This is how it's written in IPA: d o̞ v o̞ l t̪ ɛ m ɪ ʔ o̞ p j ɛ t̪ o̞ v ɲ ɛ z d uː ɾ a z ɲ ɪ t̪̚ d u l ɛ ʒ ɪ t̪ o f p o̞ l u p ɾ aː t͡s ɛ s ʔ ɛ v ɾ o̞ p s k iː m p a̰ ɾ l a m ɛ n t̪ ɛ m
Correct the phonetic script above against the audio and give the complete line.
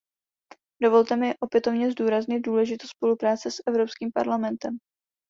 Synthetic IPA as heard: d o̞ v o̞ l t̪ ɛ m ɪ ʔ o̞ p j ɛ t̪ o̞ v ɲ ɛ z d uː ɾ a z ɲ ɪ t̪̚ d uː l ɛ ʒ ɪ t̪ o s p o̞ l u p ɾ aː t͡s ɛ s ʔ ɛ v ɾ o̞ p s k iː m p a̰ ɾ l a m ɛ n t̪ ɛ m